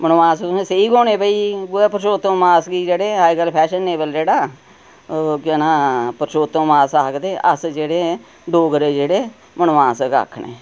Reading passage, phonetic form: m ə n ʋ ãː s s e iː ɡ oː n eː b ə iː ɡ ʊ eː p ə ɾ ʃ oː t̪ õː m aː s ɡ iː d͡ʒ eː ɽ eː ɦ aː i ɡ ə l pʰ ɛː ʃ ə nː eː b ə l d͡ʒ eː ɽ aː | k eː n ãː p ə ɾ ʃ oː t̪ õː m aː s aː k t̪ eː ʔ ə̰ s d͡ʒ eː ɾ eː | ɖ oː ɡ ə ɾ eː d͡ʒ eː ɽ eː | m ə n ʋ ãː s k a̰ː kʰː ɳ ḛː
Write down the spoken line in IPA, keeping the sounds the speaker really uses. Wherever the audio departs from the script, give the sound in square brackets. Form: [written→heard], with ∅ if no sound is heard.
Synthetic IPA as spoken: m ə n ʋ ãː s s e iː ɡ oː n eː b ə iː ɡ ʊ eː p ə ɾ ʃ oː t̪ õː m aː s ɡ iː d͡ʒ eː ɽ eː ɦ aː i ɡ ə l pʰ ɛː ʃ ə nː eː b ə l d͡ʒ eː ɽ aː | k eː n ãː p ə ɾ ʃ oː t̪ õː m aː s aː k [t̪→d̪] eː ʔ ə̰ s d͡ʒ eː [ɾ→ɽ] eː | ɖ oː ɡ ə ɾ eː d͡ʒ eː ɽ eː | m ə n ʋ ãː s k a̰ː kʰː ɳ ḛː